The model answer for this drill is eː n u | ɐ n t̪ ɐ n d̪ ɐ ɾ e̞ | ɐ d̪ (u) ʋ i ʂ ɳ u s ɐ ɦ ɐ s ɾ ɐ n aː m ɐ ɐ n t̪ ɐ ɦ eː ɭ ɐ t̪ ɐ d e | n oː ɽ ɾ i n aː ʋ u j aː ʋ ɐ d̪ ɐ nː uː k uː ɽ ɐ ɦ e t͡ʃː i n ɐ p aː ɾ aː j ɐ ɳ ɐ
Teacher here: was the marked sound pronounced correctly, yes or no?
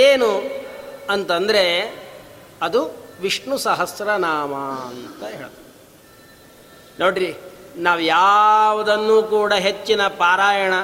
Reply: yes